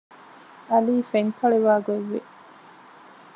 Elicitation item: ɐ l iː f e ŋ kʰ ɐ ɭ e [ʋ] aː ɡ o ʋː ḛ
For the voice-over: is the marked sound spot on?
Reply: yes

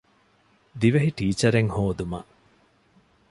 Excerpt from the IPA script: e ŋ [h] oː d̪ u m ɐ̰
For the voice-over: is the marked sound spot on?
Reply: yes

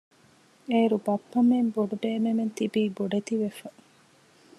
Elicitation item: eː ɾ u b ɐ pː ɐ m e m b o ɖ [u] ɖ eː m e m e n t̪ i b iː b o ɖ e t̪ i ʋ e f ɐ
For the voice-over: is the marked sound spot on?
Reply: yes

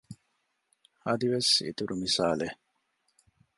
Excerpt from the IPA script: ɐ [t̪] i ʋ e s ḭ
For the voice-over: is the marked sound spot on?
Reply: no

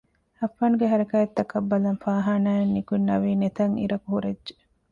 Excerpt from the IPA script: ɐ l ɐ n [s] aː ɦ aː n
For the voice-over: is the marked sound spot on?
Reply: no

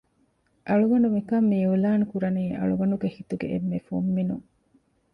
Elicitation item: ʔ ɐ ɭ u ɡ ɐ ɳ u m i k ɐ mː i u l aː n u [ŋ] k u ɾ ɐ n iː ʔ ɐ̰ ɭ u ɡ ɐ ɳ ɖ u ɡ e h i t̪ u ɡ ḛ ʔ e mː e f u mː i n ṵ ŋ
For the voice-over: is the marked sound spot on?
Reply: no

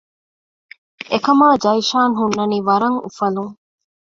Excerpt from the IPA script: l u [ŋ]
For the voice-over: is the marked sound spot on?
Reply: yes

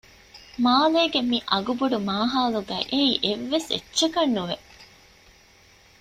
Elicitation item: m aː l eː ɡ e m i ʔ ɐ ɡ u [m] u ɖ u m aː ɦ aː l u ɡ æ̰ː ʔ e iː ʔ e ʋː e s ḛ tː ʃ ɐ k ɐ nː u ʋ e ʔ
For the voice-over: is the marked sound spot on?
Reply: no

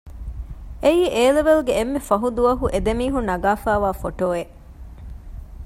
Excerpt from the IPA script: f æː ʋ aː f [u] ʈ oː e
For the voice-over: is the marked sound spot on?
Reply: no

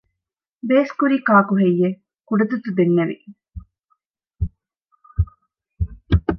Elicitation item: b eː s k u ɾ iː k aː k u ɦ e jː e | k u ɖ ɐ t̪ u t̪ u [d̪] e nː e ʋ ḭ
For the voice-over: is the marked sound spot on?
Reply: yes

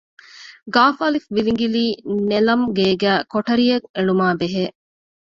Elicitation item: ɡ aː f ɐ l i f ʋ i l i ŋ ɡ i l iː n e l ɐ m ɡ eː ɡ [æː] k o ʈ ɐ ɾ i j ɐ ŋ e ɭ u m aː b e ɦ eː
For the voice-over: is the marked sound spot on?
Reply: yes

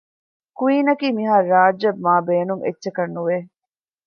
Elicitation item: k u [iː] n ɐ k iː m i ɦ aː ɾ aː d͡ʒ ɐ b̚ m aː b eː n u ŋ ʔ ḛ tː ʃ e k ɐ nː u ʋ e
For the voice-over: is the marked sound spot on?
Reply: yes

